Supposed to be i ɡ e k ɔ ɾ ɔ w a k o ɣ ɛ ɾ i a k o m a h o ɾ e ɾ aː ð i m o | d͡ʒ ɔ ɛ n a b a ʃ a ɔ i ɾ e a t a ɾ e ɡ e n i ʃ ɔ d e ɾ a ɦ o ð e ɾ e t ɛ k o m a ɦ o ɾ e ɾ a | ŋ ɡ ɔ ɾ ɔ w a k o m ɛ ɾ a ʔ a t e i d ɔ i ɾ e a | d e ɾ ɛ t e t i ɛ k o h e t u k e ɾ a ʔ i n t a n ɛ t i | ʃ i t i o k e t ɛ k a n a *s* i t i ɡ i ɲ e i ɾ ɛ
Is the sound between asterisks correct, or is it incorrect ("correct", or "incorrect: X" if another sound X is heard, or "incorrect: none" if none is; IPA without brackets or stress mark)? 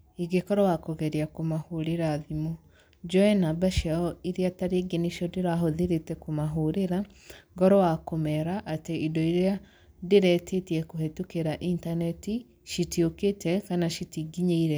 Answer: incorrect: ʃ